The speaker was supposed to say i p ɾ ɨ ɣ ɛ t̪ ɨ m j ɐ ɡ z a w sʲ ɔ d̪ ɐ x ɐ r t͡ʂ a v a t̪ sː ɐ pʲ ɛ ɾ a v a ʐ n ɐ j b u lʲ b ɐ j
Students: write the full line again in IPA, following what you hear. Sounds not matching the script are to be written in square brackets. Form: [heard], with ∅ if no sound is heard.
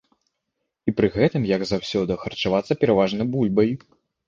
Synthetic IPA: i p ɾ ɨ ɣ ɛ t̪ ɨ m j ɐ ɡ z a w sʲ ɔ d̪ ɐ x ɐ r t͡ʂ a v a t̪ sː ɐ pʲ ɛ ɾ a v a ʐ n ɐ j b u lʲ b ɐ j